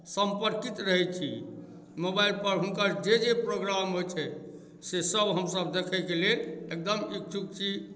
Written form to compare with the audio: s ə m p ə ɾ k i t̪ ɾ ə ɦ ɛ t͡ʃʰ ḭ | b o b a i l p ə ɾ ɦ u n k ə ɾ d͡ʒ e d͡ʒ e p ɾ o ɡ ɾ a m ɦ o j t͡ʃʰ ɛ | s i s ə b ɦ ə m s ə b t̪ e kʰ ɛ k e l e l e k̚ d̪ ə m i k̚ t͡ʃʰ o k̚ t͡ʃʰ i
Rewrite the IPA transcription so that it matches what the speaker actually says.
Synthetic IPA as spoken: s ə m p ə ɾ k i t̪ ɾ ə ɦ ɛ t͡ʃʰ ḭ | m o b a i l p ə ɾ ɦ u n k ə ɾ d͡ʒ e d͡ʒ e p ɾ o ɡ ɾ a m ɦ o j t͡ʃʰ ɛ | s e s ə b ɦ ə m s ə b d̪ e kʰ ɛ k e l e l e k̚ d̪ ə m i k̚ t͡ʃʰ u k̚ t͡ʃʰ i